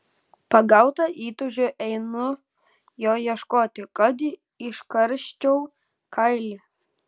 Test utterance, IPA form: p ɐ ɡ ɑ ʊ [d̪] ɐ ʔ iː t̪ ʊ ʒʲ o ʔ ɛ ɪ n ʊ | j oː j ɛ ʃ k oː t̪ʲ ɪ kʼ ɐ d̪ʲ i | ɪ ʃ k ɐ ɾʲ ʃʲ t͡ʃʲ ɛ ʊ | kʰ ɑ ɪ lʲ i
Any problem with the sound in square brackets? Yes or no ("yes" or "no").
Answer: yes